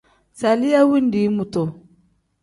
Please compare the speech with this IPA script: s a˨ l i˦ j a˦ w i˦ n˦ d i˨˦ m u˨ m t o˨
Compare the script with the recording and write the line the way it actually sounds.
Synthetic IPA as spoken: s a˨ l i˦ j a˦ w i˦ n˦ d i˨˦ m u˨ t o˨